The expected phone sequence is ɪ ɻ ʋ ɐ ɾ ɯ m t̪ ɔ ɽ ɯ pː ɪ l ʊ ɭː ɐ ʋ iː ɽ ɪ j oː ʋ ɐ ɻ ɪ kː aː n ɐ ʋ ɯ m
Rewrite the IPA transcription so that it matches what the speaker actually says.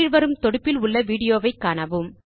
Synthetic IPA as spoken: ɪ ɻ ʋ ɐ ɾ ɯ m t̪ ɔ ɽ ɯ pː ɪ l ʊ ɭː ɐ ʋ iː ɽ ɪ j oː ʋ ɐ ɪ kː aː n ɐ ʋ ɯ m